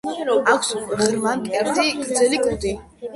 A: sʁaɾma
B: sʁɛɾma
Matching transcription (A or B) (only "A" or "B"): B